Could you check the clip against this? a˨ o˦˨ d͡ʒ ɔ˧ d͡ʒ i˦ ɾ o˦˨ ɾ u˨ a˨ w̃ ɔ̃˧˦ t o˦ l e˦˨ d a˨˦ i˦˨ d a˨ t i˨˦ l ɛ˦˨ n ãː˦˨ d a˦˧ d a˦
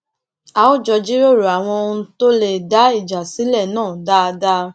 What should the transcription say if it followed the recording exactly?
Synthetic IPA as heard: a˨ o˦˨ d͡ʒ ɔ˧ d͡ʒ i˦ ɾ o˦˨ ɾ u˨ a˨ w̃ ɔ̃˧˦ t o˦ l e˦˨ d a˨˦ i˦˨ d͡ʒ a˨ s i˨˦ l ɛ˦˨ n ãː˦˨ d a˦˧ d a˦